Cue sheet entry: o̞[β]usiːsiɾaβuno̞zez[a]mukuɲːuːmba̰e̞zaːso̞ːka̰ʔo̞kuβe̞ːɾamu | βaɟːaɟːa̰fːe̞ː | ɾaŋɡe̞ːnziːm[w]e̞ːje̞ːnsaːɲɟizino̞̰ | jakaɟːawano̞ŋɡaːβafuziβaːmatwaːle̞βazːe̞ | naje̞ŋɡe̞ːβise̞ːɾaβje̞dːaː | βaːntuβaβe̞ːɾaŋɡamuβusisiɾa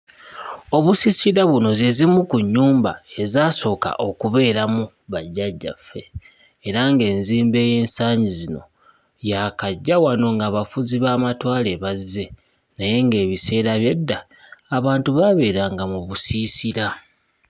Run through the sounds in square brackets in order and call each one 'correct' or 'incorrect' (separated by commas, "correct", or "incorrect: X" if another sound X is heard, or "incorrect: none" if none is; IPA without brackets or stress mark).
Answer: correct, incorrect: i, incorrect: b